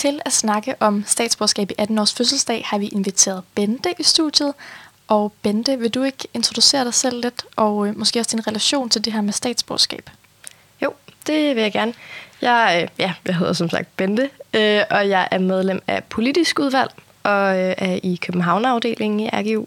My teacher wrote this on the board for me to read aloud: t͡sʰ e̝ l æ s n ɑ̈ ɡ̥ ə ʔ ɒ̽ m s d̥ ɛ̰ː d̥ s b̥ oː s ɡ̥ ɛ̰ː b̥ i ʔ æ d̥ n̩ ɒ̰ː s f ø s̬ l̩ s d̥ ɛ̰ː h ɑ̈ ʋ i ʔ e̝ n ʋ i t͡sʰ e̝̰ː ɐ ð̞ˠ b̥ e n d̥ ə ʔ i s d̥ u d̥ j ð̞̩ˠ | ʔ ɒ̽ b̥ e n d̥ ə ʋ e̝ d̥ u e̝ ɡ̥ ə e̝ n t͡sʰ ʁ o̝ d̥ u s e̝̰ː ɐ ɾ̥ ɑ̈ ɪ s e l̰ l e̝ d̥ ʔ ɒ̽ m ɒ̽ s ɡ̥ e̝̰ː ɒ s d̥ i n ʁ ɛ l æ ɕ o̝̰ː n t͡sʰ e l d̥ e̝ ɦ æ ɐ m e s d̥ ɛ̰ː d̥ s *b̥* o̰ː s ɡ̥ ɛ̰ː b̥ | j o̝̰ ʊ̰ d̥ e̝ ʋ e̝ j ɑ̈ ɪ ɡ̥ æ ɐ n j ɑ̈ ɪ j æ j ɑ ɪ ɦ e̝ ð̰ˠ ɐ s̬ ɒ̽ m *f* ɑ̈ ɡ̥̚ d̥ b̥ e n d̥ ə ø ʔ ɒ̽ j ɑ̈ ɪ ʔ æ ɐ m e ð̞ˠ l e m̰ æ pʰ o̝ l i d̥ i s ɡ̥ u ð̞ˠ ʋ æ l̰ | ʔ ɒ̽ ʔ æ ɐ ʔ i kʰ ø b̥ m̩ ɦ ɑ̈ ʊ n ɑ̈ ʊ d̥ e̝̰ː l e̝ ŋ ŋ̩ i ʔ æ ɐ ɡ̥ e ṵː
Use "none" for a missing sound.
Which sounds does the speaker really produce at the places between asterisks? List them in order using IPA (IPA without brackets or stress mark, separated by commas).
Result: b̥, s